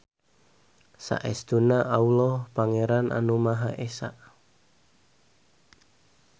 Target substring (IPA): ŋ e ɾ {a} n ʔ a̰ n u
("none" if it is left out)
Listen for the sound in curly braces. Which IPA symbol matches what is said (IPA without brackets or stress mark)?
a